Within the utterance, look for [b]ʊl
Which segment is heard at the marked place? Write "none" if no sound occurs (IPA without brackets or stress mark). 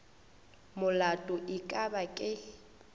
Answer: m